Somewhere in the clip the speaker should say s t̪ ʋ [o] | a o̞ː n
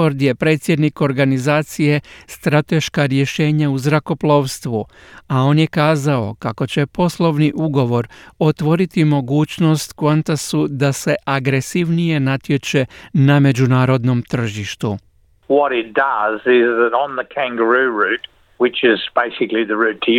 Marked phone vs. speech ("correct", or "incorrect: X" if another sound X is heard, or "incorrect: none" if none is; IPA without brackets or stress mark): incorrect: u